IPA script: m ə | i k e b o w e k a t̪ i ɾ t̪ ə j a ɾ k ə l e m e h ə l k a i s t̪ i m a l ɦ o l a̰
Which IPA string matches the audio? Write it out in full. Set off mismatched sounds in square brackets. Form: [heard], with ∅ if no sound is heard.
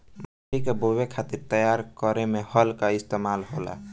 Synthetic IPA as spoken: m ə | i k e b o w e [kʰ] a t̪ i ɾ t̪ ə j a ɾ k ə [ɾ] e m e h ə l k a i s t̪ [e] m a l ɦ o l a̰